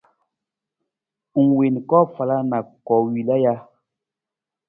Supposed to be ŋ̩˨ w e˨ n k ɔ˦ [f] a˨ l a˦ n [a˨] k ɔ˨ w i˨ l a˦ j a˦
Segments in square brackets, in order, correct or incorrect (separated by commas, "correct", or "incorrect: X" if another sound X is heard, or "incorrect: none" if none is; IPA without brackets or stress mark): correct, correct